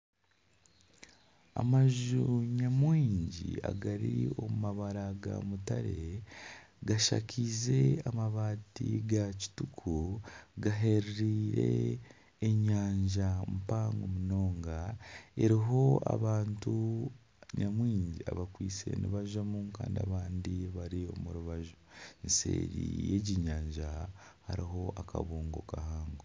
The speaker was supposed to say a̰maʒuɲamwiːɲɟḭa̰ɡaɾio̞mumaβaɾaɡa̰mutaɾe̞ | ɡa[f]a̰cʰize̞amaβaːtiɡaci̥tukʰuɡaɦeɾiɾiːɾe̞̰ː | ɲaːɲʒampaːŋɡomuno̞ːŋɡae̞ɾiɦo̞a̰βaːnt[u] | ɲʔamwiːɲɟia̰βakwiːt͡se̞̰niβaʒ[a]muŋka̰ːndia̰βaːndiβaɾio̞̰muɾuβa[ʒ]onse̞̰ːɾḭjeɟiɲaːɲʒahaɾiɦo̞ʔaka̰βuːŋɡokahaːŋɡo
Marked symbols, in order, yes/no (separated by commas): no, yes, yes, yes